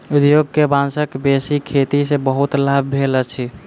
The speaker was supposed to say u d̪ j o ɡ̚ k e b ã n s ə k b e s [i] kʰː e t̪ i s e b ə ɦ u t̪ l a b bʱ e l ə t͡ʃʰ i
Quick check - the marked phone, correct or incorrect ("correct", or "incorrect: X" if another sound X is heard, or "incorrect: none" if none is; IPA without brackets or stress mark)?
correct